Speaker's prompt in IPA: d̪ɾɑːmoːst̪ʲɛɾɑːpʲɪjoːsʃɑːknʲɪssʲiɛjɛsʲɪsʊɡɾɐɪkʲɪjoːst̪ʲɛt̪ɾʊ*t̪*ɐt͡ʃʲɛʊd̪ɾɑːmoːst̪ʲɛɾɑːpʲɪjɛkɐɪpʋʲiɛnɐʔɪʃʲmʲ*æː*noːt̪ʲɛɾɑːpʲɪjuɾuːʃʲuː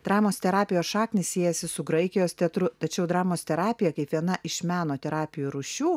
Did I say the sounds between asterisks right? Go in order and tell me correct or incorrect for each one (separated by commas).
correct, correct